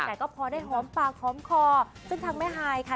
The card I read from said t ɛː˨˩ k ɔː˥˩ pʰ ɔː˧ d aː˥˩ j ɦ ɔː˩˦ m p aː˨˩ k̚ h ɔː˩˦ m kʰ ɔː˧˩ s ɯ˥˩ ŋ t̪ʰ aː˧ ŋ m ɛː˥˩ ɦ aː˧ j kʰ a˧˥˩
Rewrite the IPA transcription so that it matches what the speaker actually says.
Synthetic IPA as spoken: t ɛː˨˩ k ɔː˥˩ pʰ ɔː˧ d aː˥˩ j ɦ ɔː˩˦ m p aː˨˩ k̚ h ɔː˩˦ m kʰ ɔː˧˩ s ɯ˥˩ ŋ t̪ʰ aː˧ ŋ m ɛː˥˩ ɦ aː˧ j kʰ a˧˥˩